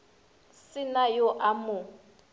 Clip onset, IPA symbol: s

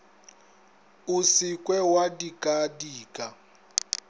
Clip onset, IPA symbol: u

